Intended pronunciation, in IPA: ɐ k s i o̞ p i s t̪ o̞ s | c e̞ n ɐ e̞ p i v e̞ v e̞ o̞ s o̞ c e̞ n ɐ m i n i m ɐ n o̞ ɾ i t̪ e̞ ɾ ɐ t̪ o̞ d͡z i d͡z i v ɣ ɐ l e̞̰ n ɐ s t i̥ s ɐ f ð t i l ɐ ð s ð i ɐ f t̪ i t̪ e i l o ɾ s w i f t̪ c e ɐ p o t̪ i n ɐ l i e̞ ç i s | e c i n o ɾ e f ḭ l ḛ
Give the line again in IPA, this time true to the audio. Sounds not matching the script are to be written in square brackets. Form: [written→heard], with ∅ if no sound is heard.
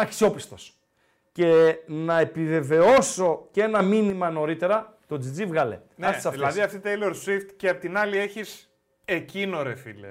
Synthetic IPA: ɐ k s i o̞ p i s t̪ o̞ s | c e̞ n ɐ e̞ p i v e̞ v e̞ o̞ s o̞ c e̞ n ɐ m i n i m ɐ n o̞ ɾ i t̪ e̞ ɾ ɐ t̪ o̞ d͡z i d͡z i v ɣ ɐ l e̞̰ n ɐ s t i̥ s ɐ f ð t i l ɐ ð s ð i ɐ f t̪ i t̪ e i l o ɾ s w i f t̪ c e ɐ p o t̪ i n ɐ l i e̞ ç i s | e c i n o ɾ e f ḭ l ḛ